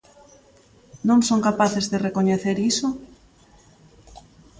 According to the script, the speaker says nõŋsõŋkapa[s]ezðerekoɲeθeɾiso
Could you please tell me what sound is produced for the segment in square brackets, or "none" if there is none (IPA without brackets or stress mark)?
θ